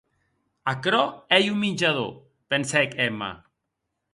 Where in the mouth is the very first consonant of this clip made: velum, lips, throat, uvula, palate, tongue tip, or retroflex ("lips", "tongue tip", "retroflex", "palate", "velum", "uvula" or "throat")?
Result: velum